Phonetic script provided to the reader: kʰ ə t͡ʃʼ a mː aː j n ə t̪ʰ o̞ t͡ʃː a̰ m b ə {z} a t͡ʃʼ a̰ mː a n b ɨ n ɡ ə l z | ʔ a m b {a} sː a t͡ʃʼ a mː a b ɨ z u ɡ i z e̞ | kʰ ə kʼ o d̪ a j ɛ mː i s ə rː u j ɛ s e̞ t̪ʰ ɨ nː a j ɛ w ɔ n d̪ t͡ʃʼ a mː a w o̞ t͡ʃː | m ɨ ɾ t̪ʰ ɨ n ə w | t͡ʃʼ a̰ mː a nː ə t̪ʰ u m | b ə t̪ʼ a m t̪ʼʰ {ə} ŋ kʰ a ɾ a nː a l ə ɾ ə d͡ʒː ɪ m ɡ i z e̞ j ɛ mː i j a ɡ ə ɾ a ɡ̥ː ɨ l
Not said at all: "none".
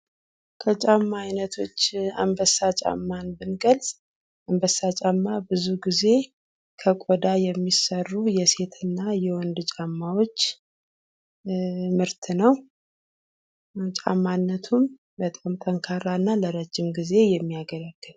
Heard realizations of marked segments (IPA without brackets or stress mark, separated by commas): s, ə, ə